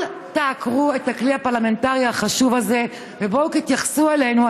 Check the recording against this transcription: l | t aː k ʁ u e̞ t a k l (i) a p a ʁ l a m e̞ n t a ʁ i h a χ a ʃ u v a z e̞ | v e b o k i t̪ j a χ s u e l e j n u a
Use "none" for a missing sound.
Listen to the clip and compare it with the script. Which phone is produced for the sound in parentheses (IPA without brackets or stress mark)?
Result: i